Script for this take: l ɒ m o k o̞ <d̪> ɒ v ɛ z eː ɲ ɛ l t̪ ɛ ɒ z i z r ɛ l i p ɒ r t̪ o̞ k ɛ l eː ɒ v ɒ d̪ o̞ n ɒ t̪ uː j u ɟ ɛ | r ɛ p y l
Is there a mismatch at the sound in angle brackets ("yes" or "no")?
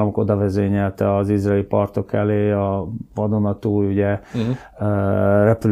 no